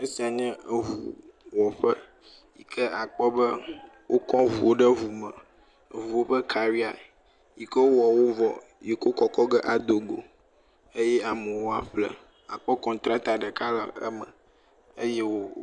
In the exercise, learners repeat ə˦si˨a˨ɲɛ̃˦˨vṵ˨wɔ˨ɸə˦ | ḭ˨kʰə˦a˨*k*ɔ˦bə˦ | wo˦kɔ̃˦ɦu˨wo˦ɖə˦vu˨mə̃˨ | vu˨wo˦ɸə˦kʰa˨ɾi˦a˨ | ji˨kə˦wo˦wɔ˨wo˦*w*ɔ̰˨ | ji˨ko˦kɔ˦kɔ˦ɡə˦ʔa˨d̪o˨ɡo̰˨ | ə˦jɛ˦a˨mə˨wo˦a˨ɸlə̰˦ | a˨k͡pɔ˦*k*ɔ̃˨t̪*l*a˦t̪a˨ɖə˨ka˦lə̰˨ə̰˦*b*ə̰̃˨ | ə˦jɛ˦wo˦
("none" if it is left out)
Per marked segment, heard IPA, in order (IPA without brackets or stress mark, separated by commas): k͡p, v, k, ɾ, m